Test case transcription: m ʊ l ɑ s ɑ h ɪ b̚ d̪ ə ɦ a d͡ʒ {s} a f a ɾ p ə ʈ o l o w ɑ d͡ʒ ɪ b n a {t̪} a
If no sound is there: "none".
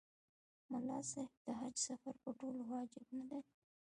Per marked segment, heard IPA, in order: s, d̪

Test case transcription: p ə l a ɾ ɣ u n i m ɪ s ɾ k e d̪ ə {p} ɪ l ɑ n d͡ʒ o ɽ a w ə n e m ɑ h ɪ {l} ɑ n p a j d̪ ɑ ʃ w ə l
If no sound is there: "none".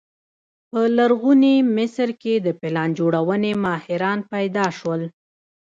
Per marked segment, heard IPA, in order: p, ɾ

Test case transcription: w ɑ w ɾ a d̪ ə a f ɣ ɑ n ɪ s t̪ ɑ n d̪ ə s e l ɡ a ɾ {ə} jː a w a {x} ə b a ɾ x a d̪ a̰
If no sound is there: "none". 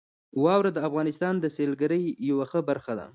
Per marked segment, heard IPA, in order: ə, x

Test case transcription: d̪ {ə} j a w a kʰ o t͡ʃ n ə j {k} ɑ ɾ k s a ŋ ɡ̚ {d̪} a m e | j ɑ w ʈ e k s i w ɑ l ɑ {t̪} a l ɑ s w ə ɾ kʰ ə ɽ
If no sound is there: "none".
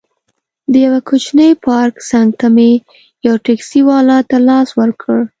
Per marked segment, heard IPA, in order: ə, p, t̪, t̪

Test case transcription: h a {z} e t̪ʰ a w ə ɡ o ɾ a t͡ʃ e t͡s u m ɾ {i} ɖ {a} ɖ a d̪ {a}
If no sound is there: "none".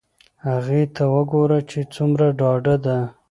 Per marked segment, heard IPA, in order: ɣ, a, ɑ, a

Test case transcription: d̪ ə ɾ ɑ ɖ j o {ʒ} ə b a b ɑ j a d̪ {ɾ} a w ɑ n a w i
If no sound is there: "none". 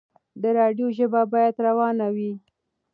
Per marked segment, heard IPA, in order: ʒ, ɾ

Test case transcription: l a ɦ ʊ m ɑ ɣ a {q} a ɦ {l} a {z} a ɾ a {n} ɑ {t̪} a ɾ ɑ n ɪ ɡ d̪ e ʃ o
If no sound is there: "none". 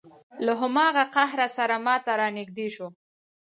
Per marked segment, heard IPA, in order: q, ɾ, s, m, t̪

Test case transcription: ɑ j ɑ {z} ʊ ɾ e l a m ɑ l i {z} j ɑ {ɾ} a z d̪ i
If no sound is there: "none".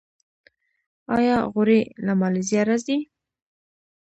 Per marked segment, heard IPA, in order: ɣ, z, ɾ

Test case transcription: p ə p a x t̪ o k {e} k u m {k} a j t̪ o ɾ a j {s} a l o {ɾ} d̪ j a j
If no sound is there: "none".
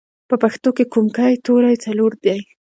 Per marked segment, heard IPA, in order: e, k, t͡s, ɾ

